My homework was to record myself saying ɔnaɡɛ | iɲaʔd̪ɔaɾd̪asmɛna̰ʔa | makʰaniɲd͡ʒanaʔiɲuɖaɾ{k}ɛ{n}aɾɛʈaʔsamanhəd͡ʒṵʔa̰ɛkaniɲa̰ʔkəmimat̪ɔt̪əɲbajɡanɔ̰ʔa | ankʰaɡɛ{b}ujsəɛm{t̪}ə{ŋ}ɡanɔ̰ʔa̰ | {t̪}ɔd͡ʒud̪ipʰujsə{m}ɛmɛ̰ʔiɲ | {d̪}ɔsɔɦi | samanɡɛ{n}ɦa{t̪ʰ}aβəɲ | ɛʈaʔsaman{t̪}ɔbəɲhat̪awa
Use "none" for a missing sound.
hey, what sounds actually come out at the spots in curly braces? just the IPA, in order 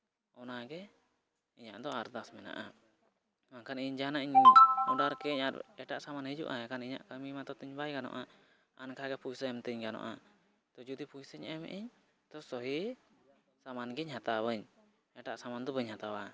k, ɲ, p, t̪, ɲ, t̪, ɲ, t̪, ɲ, t̪, d̪

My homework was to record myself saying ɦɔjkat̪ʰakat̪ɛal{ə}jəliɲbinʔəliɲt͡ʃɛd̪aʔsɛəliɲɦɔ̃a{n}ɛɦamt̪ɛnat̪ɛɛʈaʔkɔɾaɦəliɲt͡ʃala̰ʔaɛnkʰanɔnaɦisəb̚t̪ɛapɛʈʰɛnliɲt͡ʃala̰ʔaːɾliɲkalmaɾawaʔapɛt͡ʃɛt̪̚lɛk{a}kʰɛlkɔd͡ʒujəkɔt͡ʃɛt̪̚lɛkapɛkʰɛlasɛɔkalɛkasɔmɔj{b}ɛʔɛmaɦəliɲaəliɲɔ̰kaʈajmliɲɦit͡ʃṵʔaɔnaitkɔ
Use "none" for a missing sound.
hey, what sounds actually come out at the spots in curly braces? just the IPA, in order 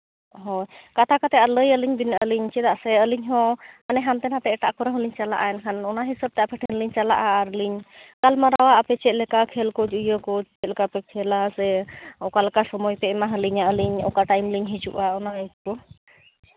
ə, n, a, p

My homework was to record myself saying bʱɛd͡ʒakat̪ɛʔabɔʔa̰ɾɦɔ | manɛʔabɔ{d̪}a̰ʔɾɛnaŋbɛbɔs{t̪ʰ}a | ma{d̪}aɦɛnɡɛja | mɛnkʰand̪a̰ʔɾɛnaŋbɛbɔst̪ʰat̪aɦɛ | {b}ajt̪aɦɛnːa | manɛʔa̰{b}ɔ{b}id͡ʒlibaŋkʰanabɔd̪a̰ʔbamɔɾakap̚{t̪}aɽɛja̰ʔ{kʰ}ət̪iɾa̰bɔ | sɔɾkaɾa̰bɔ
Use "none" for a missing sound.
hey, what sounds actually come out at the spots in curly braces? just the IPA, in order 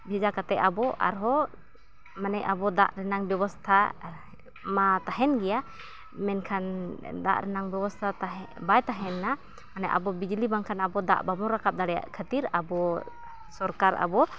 d̪, t̪ʰ, t̪, b, b, b, d̪, kʰ

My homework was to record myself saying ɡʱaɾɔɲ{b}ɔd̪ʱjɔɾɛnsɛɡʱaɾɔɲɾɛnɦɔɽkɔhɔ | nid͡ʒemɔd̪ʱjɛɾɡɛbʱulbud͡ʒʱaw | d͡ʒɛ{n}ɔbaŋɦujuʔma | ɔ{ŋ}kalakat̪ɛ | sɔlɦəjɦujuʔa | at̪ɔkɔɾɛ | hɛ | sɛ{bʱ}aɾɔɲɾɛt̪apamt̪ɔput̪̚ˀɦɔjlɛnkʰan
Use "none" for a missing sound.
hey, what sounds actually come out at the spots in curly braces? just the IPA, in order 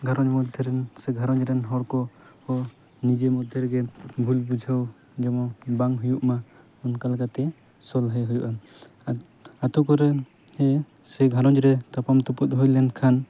m, m, n, ɡʱ

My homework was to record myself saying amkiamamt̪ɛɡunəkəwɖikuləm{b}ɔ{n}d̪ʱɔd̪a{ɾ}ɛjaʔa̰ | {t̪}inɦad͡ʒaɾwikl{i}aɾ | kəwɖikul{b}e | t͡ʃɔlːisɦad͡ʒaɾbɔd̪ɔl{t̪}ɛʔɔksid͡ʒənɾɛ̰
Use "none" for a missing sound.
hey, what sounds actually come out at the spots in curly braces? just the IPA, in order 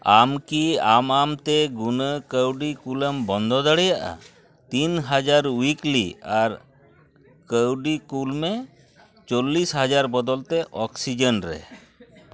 b, n, ɽ, t̪, i, m, t̪

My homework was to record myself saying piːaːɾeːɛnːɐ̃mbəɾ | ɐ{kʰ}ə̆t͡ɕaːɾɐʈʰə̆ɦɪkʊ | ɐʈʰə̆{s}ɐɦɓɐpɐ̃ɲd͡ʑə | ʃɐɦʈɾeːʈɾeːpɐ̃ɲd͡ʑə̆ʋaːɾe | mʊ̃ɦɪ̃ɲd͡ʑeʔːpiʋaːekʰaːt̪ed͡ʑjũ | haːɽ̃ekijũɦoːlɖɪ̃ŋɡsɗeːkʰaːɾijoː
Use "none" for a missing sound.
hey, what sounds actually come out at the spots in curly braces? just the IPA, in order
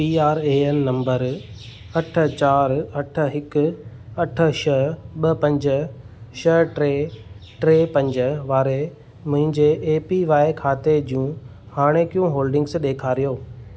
ʈʰ, ʃ

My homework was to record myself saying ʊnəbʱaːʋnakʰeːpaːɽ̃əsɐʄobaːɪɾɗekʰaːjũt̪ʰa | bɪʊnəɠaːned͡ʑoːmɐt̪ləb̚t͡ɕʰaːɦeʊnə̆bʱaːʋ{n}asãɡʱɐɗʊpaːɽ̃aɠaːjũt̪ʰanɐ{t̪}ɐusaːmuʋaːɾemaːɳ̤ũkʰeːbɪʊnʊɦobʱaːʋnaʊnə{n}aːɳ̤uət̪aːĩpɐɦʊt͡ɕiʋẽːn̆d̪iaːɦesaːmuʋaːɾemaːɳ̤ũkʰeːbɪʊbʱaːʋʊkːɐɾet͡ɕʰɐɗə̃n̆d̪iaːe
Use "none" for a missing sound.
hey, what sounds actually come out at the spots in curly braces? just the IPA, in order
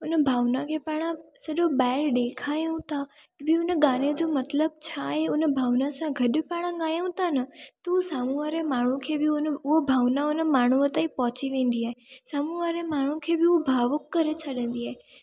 n, t̪, m

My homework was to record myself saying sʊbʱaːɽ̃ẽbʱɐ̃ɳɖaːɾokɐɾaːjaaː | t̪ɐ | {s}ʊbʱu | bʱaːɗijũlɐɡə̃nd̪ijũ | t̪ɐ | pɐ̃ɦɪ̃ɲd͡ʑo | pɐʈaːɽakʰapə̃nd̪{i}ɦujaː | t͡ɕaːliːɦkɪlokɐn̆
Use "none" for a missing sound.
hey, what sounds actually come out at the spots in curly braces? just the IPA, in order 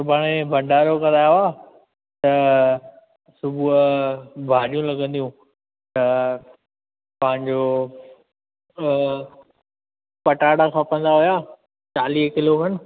s, a

